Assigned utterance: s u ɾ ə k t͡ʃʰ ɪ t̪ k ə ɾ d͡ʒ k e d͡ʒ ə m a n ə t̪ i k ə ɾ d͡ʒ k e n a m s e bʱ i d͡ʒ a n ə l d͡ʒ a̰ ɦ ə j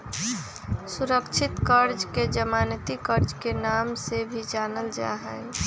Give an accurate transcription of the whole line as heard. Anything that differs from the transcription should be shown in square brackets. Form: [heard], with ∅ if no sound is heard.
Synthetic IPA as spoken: s u ɾ ə k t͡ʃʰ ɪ t̪ k ə ɾ d͡ʒ k e d͡ʒ ə m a n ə t̪ i k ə ɾ d͡ʒ k e n a m s e bʱ i d͡ʒ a n ə l d͡ʒ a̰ ɦ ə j